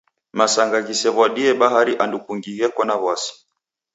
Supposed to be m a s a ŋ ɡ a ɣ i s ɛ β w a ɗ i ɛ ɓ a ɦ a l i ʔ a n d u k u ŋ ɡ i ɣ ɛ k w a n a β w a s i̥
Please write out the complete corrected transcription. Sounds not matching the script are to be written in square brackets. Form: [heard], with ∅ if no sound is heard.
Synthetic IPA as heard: m a s a ŋ ɡ a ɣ i s ɛ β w a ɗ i ɛ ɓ a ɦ a [ɾ] i ʔ a n d u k u ŋ ɡ i ɣ ɛ k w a n a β w a s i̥